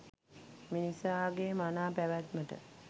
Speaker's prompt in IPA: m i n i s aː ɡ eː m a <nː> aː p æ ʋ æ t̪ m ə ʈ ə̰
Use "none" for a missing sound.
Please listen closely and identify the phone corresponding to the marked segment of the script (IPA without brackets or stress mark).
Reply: n